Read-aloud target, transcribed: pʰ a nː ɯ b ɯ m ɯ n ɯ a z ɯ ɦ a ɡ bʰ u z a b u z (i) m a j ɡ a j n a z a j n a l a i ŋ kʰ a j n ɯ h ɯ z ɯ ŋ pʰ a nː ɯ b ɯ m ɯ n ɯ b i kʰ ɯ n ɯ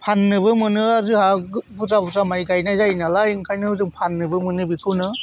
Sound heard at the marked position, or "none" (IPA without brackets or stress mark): a